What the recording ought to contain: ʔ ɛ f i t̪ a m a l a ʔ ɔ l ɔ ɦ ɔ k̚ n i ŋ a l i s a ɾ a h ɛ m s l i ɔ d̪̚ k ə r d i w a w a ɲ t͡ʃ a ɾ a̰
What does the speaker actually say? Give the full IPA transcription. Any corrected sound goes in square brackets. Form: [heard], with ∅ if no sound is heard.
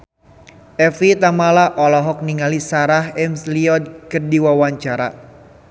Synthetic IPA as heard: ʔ ɛ f i t̪ a m a l a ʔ ɔ l ɔ ɦ ɔ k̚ n i ŋ a l i s a ɾ a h ɛ m s l i ɔ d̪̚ k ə r d i w a w a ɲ t͡ʃ a ɾ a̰

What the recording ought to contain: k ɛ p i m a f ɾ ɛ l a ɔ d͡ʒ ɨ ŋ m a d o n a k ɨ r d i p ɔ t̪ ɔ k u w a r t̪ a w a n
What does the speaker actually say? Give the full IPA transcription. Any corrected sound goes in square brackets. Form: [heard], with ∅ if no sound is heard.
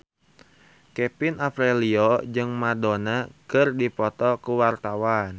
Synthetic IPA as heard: k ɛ p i [n] a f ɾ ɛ l [i] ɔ d͡ʒ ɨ ŋ m a d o n a k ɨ r d i p ɔ t̪ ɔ k u w a r t̪ a w a n

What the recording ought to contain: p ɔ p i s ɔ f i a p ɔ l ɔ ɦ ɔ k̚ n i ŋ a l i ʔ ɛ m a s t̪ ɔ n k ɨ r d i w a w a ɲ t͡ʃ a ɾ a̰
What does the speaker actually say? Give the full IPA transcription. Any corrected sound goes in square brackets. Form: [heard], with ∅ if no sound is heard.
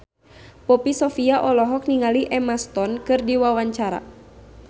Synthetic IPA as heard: p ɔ p i s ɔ f i a [ʔ] ɔ l ɔ ɦ ɔ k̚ n i ŋ a l i ʔ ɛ m a s t̪ ɔ n k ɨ r d i w a w a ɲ t͡ʃ a ɾ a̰

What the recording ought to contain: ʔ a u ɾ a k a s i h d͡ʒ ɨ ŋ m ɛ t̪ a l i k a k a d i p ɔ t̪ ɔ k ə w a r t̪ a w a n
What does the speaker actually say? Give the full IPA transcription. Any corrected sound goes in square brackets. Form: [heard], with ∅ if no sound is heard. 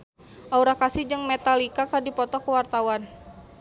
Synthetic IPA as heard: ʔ a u ɾ a k a s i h d͡ʒ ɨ ŋ m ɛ t̪ a l i k a k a d i p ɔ t̪ ɔ k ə w a r t̪ a w a n

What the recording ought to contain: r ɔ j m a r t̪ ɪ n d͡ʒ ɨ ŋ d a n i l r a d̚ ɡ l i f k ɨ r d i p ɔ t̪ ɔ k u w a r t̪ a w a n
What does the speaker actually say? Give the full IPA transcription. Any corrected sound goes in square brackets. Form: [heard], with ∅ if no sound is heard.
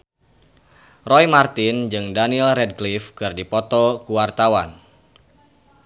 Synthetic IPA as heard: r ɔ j m a r t̪ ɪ n d͡ʒ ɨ ŋ d a n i l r [ɛ] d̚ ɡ l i f k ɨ r d i p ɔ t̪ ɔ k u w a r t̪ a w a n

